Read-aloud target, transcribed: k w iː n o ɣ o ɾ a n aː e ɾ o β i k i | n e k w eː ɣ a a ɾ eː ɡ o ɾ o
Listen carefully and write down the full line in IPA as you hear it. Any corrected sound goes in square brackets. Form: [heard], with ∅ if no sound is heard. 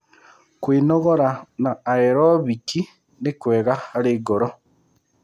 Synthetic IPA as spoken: k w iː n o ɣ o ɾ a n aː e ɾ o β i k i | n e k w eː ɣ a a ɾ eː ɡ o ɾ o